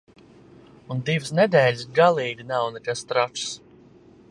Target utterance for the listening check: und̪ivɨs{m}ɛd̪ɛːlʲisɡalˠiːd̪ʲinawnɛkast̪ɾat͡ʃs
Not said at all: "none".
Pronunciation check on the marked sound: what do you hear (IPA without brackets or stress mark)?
n